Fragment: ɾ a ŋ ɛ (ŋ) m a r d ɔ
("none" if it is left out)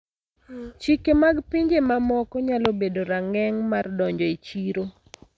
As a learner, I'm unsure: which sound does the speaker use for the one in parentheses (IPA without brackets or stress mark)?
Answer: ŋ